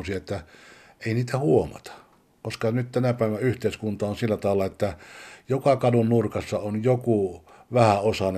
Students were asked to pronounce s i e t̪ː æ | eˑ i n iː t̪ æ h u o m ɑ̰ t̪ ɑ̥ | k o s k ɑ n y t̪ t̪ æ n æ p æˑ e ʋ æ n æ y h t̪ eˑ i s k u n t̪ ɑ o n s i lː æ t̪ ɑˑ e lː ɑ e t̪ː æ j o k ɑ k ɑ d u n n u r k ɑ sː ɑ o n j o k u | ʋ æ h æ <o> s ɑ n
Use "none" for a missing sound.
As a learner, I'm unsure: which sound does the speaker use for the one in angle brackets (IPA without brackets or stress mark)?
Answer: o